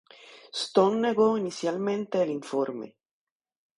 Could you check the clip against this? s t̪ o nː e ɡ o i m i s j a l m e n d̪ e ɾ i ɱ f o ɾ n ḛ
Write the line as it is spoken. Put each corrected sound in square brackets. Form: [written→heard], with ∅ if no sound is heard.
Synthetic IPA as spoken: s t̪ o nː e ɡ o i [m→n] i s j a l m e n [d̪→t̪] e [ɾ→l] i ɱ f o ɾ [n→m] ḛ